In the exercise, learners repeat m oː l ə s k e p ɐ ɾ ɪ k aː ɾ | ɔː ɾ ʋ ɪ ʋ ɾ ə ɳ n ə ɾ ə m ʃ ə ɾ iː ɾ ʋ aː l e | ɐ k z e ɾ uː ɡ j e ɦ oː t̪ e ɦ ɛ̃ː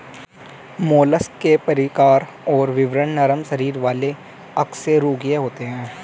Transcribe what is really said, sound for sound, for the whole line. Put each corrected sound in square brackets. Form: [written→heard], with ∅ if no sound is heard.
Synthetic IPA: m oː l ə s k e p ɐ ɾ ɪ k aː ɾ | ɔː ɾ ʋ ɪ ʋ ɾ ə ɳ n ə ɾ ə m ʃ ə ɾ iː ɾ ʋ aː l e | ɐ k [z→s] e ɾ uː ɡ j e ɦ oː t̪ e ɦ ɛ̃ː